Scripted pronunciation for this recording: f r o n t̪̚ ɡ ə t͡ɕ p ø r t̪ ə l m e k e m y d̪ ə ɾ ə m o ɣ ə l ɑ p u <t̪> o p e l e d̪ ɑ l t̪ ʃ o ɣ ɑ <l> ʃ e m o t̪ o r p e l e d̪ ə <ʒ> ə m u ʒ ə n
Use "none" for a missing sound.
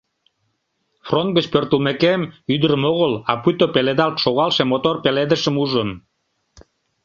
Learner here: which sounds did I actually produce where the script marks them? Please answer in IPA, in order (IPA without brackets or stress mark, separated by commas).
t̪, l, ʃ